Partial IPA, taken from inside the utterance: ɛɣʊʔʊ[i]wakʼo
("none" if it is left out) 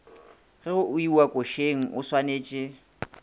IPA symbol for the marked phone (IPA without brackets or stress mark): i